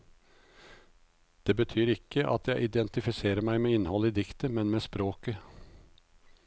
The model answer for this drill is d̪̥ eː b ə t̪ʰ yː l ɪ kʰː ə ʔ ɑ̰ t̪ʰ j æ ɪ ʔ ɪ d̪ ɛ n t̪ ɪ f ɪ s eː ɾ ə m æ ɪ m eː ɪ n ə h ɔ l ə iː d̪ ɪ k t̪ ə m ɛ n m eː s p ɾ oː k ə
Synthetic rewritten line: d̪̥ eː b ə t̪ʰ yː ɾ ɪ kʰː ə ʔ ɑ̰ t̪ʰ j æ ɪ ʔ ɪ d̪ ɛ n t̪ ɪ f ɪ s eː ɾ ə m æ ɪ m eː ɪ n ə h ɔ l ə iː d̪ ɪ k t̪ ə m ɛ n m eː s p ɾ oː k ə